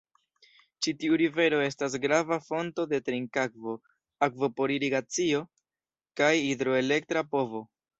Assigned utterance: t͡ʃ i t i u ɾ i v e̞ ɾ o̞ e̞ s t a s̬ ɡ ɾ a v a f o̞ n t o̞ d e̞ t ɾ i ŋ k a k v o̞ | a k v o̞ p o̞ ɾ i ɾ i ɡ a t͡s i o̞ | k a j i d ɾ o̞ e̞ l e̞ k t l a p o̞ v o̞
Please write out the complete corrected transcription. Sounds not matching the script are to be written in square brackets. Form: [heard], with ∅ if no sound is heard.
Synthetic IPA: t͡ʃ i t i u ɾ i v e̞ ɾ o̞ e̞ s t a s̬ ɡ ɾ a v a f o̞ n t o̞ d e̞ t ɾ i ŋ k a k v o̞ | a k v o̞ p o̞ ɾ i ɾ i ɡ a t͡s i o̞ | k a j i d ɾ o̞ e̞ l e̞ k t [ɾ] a p o̞ v o̞